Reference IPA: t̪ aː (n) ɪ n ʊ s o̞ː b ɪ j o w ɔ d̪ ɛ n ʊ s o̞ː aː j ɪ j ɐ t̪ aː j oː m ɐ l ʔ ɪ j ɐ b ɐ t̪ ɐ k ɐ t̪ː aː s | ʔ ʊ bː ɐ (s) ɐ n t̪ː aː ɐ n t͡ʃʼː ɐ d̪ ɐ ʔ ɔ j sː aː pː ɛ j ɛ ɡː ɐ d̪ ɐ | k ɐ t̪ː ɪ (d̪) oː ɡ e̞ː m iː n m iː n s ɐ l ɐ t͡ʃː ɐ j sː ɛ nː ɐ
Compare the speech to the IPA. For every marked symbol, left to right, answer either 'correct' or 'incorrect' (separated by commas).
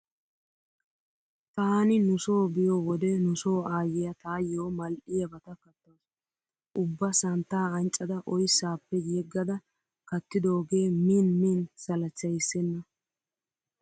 correct, correct, correct